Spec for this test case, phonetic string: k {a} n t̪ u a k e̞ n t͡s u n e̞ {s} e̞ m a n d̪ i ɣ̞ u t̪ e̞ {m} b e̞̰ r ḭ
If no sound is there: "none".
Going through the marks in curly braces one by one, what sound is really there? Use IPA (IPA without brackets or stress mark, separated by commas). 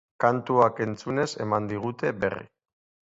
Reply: a, s, none